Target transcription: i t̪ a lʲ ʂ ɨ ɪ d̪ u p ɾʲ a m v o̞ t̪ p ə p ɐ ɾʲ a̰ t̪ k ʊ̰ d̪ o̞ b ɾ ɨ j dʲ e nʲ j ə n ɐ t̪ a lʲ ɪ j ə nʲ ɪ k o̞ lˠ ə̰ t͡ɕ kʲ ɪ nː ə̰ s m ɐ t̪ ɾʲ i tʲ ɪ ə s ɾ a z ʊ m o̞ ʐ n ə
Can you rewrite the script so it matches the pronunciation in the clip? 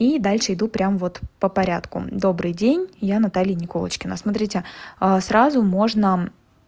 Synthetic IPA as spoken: i d̪ a lʲ ʂ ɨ ɪ d̪ u p ɾʲ a m v o̞ t̪ p ə p ɐ ɾʲ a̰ t̪ k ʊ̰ d̪ o̞ b ɾ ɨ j dʲ e nʲ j a n ɐ t̪ a lʲ ɪ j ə nʲ ɪ k o̞ lˠ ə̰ t͡ɕ kʲ ɪ n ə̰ s m ɐ t̪ ɾʲ i tʲ ɪ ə s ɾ a z ʊ m o̞ ʐ n ə